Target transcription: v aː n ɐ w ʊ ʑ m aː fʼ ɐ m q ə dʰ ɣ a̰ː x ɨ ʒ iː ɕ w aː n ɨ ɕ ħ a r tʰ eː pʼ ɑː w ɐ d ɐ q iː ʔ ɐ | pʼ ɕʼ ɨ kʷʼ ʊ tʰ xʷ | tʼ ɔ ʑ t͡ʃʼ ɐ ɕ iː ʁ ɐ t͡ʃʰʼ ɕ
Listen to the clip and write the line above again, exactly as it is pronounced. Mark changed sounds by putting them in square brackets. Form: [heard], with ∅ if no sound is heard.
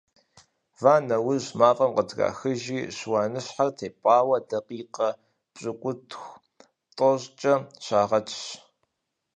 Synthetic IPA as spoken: v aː n ɐ w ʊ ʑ m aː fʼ ɐ m q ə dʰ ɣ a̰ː x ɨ ʒ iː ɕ w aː n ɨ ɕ ħ a r tʰ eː pʼ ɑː w ɐ d ɐ q iː [q] ɐ | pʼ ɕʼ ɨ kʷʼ ʊ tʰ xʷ | tʼ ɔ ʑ t͡ʃʼ ɐ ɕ [aː] ʁ ɐ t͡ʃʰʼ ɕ